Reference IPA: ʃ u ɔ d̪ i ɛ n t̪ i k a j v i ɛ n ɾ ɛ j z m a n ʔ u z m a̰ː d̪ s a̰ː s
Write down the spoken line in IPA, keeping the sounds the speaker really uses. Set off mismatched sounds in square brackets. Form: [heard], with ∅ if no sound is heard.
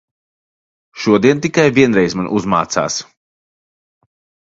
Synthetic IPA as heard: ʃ u ɔ d̪ i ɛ n t̪ i k a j v i ɛ n ɾ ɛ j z m a n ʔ u z m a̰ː [t̪] s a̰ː s